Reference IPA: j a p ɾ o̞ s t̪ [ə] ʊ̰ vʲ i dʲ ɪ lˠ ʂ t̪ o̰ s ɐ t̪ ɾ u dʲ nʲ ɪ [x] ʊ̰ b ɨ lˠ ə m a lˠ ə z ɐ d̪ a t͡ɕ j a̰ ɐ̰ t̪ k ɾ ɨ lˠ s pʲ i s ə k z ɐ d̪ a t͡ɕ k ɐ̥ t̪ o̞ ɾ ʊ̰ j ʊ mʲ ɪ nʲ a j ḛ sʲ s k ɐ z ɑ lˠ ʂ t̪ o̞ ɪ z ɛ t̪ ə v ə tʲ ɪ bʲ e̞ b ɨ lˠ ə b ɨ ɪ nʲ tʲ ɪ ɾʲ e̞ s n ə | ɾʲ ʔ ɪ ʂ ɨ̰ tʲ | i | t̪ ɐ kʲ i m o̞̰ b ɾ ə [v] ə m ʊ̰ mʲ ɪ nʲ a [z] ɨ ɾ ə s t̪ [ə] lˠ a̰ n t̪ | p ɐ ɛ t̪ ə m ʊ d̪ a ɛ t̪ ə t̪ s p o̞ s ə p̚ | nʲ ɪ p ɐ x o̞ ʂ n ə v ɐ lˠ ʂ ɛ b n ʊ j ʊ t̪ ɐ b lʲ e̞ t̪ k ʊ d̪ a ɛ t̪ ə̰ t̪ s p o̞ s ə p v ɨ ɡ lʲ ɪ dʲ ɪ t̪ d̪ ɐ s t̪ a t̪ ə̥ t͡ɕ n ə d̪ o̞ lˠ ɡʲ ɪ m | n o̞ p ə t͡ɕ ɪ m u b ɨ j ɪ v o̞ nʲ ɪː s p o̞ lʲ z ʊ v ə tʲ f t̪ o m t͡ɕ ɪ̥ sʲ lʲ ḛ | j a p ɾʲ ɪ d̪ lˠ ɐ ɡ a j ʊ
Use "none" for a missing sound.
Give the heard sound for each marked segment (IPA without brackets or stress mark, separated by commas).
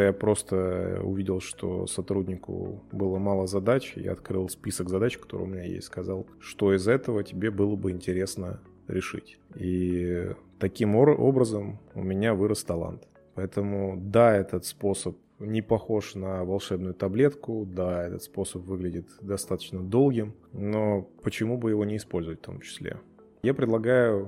ə, k, z, v, ɐ